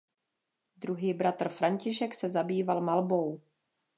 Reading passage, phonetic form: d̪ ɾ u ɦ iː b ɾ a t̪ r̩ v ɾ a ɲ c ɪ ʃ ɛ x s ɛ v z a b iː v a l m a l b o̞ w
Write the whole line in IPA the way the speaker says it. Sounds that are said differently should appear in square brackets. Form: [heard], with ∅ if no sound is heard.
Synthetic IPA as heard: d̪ ɾ u ɦ iː b ɾ a t̪ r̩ [f] ɾ a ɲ c ɪ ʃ ɛ [k] s ɛ [∅] z a b iː v a l m a l b o̞ w